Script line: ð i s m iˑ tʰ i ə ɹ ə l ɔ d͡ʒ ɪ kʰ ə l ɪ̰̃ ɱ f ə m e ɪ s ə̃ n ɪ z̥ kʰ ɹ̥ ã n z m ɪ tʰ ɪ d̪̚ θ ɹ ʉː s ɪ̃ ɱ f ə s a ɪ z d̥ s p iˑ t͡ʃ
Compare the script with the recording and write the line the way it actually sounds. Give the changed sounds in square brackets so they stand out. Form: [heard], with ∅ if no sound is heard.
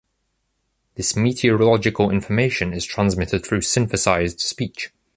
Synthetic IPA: ð [ɪ] s m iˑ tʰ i ə ɹ ə l [ɒ] d͡ʒ ɪ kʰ ə l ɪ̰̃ ɱ f ə m e ɪ [ʃ] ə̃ n ɪ z̥ [tʰ] ɹ̥ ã n z m ɪ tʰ ɪ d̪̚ θ ɹ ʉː s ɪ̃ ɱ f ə s a ɪ z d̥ s p iˑ t͡ʃ